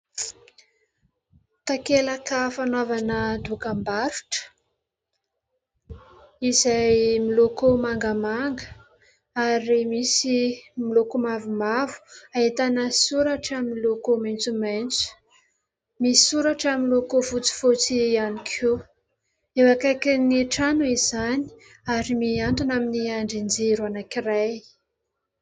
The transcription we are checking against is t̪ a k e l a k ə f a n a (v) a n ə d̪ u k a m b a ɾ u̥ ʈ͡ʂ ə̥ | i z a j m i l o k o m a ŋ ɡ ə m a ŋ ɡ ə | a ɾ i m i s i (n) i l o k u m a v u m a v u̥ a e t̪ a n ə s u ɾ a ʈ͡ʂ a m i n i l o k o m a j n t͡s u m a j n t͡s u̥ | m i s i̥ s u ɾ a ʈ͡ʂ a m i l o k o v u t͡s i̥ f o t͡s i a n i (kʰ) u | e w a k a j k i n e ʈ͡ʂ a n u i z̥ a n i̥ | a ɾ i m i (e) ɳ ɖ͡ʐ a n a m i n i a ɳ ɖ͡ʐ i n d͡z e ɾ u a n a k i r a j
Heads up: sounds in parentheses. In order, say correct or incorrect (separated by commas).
correct, incorrect, correct, incorrect